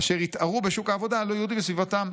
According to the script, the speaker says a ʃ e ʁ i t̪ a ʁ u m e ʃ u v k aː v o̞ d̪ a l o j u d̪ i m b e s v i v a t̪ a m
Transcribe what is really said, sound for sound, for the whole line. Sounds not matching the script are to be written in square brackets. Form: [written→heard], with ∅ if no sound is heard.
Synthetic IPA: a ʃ e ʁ i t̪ a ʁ u [m→b] e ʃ u [v→∅] k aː v o̞ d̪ a l o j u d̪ i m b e s v i v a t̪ a m